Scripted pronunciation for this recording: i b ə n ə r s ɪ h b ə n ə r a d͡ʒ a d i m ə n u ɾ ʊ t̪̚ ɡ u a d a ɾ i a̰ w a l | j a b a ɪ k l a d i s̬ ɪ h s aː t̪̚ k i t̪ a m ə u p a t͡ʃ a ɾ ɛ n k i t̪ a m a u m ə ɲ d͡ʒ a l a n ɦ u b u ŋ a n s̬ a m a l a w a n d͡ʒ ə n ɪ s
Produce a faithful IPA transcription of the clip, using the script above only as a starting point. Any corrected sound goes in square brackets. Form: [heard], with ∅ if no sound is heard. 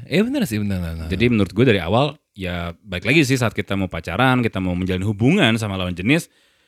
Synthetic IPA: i b ə n ə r s ɪ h b ə n ə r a d͡ʒ a d i m ə n u ɾ ʊ t̪̚ ɡ u a d a ɾ i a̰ w a l | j a b a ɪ k l a [ɡ] i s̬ ɪ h s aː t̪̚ k i t̪ a m [a] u p a t͡ʃ a ɾ [a] n k i t̪ a m a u m ə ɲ d͡ʒ a l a n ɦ u b u ŋ a n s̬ a m a l a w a n d͡ʒ ə n ɪ s